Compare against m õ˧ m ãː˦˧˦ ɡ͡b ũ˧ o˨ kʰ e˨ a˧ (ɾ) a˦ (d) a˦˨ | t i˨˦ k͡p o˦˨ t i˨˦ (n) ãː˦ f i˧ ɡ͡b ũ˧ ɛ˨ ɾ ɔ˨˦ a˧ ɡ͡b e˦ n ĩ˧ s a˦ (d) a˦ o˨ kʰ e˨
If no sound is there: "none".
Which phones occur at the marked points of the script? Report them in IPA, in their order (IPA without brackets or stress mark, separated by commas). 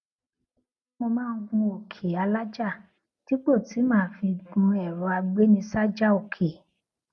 l, d͡ʒ, m, d͡ʒ